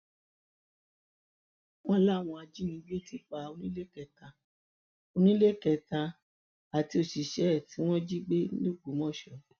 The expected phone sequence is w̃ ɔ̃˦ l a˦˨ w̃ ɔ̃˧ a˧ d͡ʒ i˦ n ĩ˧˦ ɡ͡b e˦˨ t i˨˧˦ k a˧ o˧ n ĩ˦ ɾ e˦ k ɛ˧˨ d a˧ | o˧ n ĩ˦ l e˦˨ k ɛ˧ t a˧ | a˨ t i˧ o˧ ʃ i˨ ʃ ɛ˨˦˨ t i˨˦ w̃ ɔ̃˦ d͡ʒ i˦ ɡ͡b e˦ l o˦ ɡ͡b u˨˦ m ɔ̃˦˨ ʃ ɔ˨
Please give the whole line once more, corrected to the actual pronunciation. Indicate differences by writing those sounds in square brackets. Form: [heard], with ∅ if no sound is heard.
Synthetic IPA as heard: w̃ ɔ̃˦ l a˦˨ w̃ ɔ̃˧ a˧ d͡ʒ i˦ n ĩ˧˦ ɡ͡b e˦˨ t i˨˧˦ [k͡p] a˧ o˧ n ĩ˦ [l] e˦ k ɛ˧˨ [t] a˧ | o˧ n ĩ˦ l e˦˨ k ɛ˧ t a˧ | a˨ t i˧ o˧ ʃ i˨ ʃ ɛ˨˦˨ t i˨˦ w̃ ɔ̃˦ d͡ʒ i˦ ɡ͡b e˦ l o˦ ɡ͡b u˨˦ m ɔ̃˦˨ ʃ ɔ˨